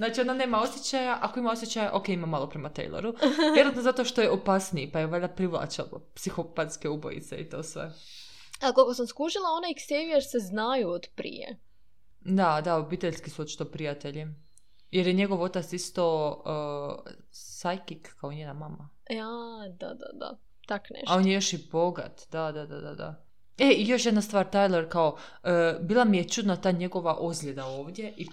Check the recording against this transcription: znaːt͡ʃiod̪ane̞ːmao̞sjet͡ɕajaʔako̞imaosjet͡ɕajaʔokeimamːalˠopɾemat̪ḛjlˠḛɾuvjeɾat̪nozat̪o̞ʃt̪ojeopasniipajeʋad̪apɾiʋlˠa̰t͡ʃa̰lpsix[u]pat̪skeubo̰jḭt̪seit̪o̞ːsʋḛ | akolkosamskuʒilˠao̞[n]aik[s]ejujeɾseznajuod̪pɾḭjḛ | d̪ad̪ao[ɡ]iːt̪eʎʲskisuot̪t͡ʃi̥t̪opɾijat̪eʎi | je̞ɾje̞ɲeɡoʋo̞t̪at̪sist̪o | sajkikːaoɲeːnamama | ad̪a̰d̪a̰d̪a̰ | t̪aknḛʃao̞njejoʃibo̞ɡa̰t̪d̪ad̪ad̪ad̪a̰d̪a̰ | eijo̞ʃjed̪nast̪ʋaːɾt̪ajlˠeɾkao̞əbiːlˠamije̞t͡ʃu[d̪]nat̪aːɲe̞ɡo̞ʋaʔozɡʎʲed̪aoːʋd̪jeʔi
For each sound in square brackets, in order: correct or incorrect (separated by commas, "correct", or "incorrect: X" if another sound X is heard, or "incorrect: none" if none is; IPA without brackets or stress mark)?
incorrect: o, correct, correct, incorrect: b, correct